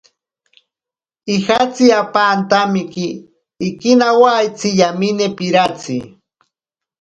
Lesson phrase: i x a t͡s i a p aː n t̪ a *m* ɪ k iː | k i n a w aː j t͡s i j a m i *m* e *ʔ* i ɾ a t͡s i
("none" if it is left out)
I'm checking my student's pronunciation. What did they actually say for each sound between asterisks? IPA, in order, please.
m, n, p

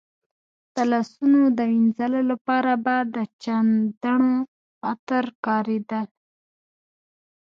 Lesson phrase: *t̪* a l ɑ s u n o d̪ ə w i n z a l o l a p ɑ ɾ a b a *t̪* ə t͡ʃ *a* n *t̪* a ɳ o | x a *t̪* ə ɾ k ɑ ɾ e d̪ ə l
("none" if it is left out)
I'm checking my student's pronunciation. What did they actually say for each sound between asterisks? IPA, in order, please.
t̪, d̪, a, d̪, t̪

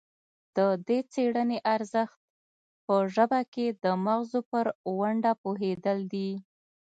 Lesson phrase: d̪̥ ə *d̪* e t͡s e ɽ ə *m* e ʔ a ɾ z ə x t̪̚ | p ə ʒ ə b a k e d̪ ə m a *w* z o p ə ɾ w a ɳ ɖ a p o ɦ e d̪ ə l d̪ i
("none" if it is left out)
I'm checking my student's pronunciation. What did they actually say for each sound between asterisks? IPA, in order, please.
d̪, n, ɣ

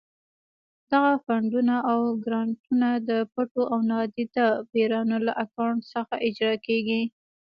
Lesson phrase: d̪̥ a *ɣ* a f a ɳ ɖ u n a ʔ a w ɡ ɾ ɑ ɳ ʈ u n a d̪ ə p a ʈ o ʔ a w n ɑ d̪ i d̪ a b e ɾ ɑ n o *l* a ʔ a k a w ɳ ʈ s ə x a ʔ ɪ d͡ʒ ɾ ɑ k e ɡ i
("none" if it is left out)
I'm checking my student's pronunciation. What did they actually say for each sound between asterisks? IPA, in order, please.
ɣ, l

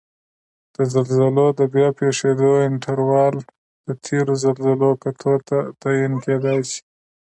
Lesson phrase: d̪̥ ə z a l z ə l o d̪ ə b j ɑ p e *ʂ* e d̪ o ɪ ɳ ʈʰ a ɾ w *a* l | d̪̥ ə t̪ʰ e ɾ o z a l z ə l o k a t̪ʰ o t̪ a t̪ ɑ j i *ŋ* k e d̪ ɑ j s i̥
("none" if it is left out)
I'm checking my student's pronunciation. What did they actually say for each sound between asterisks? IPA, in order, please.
ʂ, ɑ, n

